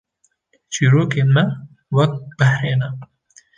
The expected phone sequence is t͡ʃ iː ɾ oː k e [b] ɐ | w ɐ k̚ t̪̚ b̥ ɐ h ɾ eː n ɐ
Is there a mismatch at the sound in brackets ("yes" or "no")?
yes